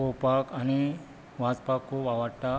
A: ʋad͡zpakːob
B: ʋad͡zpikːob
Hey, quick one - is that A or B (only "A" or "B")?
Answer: A